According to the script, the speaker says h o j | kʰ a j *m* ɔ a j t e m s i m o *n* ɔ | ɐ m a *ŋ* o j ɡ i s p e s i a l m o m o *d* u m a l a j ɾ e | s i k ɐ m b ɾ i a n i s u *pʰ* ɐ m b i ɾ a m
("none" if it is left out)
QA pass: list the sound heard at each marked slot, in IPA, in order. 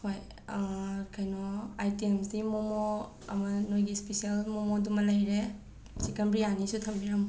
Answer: n, m, n, d, tʰ

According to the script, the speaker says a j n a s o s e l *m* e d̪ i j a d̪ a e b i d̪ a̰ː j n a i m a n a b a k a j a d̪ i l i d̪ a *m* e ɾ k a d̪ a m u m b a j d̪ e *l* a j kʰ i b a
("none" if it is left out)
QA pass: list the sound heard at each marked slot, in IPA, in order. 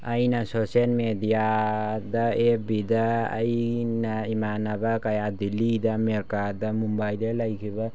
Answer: m, m, l

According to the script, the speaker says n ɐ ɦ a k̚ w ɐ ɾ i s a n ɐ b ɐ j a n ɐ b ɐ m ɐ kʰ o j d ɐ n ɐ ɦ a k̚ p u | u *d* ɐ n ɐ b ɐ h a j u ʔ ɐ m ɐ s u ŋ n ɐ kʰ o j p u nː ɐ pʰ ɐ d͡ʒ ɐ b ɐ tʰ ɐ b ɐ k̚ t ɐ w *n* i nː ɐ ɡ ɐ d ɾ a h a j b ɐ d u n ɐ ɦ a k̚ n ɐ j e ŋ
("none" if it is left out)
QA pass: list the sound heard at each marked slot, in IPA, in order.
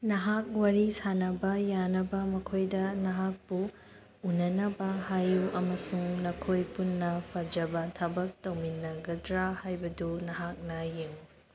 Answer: n, m

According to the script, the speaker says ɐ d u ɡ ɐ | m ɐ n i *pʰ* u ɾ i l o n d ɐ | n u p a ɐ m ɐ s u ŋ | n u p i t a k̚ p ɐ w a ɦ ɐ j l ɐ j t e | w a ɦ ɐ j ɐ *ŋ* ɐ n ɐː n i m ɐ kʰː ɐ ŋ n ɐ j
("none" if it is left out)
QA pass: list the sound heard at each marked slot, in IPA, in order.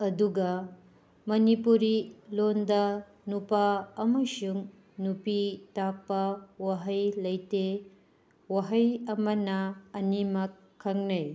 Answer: p, m

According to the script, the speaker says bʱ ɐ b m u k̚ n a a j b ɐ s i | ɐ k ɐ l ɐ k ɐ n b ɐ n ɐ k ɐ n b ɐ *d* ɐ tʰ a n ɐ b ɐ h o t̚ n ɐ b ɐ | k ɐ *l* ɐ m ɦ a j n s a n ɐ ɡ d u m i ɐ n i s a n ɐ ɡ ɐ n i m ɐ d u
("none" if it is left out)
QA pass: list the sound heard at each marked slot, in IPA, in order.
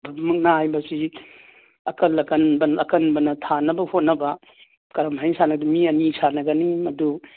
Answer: n, ɾ

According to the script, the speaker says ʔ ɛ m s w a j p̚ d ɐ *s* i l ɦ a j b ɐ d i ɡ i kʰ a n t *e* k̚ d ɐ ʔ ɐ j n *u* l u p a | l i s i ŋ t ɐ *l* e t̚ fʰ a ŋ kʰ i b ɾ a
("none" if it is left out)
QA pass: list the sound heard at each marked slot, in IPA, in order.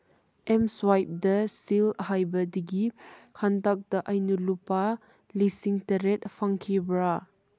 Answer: s, a, u, ɾ

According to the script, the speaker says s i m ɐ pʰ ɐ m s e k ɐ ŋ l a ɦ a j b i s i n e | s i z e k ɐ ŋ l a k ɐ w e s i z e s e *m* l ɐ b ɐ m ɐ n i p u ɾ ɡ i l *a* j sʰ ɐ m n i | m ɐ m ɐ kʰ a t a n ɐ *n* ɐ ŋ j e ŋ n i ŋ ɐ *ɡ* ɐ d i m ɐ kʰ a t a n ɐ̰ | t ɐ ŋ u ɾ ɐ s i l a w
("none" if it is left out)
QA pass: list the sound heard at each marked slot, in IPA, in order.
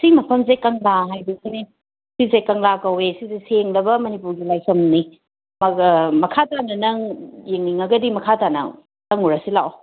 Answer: ŋ, a, n, ɡ

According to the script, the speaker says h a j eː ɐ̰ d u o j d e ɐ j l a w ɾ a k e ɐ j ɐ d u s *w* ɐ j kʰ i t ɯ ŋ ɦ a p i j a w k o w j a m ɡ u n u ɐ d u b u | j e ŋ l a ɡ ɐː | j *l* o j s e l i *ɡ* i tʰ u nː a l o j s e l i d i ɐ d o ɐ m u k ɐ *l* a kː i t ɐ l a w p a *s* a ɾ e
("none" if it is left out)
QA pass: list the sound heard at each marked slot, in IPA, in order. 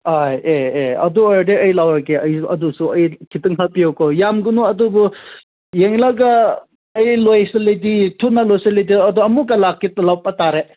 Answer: u, l, d, l, t

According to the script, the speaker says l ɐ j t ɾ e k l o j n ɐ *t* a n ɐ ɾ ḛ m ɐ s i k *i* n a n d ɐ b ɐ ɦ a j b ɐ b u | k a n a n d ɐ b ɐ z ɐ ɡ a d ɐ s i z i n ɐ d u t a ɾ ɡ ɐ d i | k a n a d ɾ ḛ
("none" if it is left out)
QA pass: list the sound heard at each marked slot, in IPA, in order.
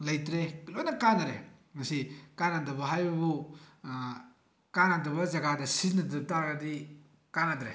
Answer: k, a

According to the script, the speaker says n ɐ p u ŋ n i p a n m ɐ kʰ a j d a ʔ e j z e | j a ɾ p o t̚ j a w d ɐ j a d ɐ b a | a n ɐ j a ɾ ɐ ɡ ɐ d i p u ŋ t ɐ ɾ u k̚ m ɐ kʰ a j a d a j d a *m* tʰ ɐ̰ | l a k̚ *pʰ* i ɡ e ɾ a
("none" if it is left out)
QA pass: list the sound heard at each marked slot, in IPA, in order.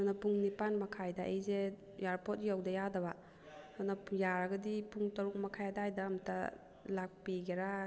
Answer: m, p

